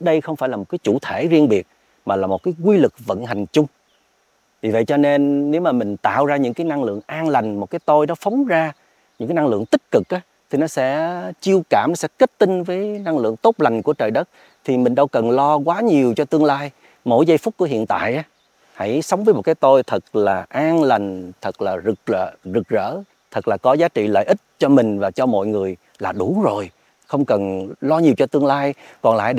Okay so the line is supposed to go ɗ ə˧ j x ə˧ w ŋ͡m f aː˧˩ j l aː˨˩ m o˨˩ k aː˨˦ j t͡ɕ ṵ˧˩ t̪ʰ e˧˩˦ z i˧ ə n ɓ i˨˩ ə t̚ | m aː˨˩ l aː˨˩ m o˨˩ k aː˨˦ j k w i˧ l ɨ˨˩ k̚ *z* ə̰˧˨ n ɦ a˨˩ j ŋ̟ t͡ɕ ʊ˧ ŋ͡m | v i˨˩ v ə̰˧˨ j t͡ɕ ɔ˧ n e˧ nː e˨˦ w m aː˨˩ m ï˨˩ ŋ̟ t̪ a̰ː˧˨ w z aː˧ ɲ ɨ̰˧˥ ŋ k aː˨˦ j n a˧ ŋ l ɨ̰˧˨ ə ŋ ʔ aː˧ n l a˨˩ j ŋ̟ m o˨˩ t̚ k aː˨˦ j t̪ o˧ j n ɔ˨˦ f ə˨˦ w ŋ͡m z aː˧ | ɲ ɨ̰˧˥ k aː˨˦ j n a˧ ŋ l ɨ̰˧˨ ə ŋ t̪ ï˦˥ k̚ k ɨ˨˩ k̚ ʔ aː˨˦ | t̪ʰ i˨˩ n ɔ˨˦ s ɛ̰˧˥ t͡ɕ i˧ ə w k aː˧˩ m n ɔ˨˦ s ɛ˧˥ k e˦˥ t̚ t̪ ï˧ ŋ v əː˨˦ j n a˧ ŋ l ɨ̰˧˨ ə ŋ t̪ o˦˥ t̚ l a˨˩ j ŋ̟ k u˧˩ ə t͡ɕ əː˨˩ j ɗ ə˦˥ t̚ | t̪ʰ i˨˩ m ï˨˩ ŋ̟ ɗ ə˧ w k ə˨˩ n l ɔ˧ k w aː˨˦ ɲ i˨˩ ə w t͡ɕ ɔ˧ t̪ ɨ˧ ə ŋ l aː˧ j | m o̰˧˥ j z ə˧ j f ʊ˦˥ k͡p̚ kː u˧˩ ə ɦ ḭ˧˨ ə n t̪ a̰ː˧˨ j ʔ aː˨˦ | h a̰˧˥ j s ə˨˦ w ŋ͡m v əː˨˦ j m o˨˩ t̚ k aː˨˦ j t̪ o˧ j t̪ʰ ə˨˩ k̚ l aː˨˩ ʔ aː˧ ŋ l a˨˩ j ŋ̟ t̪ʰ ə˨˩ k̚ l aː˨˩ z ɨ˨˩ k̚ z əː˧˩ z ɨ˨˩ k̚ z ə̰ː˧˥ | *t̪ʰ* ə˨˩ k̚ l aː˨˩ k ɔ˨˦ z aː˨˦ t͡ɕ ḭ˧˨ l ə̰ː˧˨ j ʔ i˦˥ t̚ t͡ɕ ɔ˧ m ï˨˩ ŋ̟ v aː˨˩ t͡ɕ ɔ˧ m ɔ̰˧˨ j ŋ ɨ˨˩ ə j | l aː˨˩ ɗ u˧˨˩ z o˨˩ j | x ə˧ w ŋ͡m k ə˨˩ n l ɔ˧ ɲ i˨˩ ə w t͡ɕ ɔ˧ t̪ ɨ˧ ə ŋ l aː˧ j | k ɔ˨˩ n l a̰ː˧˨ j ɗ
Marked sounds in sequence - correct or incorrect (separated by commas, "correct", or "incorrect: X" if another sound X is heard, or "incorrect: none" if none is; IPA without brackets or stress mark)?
incorrect: v, correct